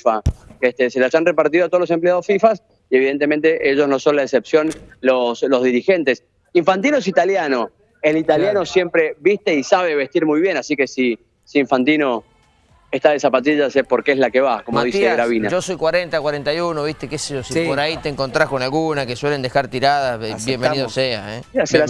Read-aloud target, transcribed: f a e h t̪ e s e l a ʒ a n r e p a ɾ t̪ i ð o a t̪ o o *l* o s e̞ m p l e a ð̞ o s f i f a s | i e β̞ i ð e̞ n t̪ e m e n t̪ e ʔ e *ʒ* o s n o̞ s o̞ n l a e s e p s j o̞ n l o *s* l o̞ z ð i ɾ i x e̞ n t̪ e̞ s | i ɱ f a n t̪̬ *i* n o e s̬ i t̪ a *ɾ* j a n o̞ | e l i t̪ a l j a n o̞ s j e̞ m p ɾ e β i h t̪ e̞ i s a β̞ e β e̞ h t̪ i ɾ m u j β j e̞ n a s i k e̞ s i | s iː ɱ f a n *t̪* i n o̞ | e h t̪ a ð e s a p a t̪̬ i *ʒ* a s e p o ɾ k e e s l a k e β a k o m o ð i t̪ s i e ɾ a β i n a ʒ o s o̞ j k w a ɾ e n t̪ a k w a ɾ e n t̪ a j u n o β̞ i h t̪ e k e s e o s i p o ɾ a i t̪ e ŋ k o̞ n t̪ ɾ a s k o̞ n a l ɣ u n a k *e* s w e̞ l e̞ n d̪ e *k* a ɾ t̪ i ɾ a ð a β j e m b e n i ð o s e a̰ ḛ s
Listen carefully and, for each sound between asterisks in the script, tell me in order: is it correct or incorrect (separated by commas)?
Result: correct, correct, correct, correct, incorrect, correct, correct, correct, incorrect